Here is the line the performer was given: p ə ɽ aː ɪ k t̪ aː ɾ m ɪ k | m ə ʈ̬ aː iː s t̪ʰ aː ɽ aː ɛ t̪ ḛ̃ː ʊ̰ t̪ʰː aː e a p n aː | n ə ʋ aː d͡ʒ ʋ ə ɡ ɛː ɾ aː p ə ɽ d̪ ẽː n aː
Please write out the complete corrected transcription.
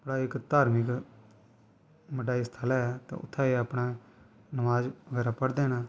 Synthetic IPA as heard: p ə ɽ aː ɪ k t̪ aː ɾ m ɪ k | m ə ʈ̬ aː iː s t̪ʰ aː l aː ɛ t̪ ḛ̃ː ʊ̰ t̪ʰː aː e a p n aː | n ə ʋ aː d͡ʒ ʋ ə ɡ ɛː ɾ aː p ə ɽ d̪ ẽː n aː